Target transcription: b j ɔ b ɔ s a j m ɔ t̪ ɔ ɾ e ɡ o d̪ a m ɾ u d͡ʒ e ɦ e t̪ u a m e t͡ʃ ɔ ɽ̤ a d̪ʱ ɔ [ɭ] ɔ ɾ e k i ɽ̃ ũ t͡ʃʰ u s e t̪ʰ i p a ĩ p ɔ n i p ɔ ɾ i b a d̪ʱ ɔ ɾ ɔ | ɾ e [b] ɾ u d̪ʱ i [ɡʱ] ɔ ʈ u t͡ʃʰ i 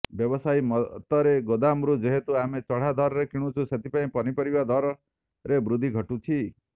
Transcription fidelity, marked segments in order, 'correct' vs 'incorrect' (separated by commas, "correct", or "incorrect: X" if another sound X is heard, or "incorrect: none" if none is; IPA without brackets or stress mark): incorrect: ɾ, correct, correct